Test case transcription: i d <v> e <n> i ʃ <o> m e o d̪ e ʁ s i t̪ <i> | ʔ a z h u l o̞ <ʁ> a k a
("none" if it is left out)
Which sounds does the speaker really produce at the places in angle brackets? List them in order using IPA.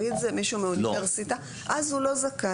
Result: z, m, u, a, z

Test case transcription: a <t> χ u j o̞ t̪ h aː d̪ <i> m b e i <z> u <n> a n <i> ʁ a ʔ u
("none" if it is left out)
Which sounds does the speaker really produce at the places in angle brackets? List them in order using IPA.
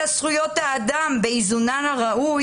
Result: s, a, z, n, a

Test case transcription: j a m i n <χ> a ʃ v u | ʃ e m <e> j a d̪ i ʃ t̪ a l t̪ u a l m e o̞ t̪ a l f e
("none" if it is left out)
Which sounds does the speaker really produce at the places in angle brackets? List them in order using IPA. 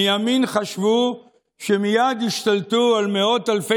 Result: χ, i

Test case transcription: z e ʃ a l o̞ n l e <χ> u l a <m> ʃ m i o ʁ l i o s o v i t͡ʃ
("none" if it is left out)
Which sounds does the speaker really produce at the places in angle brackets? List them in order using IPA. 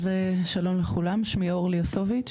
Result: χ, m

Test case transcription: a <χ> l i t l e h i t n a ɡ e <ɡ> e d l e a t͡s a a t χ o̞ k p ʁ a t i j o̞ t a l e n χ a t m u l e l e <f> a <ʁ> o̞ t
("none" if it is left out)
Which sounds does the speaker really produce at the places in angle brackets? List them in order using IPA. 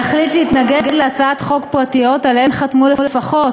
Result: χ, ɡ, f, χ

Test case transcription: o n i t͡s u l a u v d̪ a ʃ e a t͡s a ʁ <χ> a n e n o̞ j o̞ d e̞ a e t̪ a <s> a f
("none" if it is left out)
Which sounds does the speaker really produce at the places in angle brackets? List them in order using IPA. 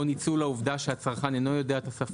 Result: χ, s

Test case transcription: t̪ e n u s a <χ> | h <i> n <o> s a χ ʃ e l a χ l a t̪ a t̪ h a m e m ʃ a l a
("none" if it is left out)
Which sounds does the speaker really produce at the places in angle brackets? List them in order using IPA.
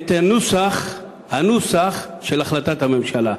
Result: χ, a, u

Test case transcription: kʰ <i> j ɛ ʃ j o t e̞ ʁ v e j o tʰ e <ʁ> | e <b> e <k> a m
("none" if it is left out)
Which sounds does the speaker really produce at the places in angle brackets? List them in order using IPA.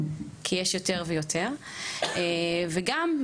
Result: i, ʁ, v, ɡ

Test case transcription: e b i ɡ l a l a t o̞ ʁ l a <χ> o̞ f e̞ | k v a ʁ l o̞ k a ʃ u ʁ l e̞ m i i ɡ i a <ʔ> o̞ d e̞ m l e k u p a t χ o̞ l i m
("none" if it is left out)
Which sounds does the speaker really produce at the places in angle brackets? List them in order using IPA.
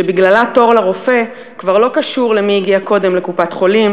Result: ʁ, k

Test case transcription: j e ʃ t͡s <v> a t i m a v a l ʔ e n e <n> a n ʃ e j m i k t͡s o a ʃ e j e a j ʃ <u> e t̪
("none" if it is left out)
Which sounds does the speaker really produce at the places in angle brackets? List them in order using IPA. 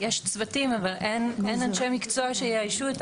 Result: v, n, u

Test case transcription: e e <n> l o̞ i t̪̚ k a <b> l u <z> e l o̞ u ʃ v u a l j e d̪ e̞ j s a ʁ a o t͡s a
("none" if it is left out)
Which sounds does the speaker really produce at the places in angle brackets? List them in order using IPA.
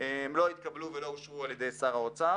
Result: m, b, v

